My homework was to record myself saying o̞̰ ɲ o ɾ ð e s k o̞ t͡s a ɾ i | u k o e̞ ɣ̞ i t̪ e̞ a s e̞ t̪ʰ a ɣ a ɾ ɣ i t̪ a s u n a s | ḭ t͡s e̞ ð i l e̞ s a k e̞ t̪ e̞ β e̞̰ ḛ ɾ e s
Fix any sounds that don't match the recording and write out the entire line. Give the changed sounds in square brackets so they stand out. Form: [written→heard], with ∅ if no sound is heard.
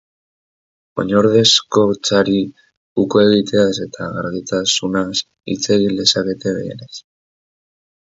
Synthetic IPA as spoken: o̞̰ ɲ o ɾ ð e s k o̞ t͡s a ɾ i | u k o e̞ ɣ̞ i t̪ e̞ a s e̞ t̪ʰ a ɣ a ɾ ɣ i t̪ a s u n a s | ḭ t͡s e̞ [ð→ɣ] i l e̞ s a k e̞ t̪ e̞ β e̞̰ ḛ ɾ e s